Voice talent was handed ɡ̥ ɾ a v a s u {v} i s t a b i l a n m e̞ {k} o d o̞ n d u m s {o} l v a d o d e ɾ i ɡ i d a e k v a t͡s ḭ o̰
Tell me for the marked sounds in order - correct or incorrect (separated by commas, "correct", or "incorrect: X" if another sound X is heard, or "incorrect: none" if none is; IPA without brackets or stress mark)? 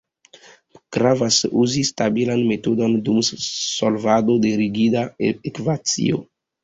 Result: incorrect: z, incorrect: t, correct